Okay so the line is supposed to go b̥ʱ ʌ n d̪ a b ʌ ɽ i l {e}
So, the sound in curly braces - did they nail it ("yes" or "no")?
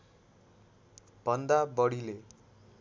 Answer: yes